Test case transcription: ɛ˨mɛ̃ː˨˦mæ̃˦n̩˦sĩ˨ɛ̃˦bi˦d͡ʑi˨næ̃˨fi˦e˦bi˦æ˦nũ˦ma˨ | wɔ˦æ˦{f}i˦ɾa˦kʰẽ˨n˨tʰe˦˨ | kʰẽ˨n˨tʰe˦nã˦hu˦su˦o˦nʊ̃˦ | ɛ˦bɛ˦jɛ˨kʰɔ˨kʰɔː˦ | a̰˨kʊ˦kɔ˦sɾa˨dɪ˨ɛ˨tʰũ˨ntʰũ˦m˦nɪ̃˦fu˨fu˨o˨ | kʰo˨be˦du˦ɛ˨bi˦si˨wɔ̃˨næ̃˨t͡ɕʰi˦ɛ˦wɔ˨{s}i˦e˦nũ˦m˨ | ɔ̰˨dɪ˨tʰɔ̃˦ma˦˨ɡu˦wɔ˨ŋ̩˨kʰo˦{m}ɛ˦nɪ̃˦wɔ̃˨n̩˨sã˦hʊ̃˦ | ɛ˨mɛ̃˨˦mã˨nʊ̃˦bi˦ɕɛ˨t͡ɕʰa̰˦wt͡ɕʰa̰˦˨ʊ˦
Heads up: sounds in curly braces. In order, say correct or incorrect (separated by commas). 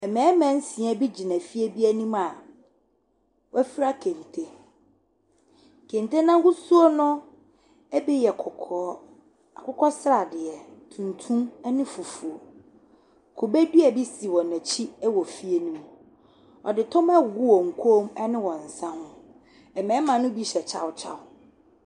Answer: correct, incorrect, correct